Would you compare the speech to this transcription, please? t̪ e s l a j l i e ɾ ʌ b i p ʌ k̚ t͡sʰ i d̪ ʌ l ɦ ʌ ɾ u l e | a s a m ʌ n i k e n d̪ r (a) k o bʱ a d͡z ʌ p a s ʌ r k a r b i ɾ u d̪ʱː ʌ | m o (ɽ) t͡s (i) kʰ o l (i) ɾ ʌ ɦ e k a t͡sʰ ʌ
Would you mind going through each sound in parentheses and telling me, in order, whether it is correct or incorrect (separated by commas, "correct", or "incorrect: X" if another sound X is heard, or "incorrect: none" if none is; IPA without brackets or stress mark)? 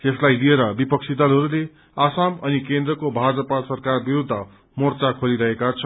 incorrect: ʌ, incorrect: r, incorrect: a, correct